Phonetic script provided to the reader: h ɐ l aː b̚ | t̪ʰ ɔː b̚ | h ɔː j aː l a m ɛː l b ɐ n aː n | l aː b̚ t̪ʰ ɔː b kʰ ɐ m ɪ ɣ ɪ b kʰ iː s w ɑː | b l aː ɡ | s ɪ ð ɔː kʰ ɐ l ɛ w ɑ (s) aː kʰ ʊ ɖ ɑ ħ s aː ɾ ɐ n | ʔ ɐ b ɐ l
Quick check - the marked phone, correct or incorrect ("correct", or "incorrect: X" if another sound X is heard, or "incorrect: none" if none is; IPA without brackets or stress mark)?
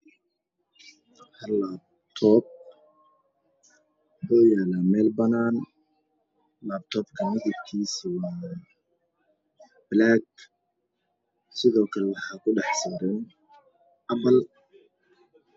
incorrect: ħ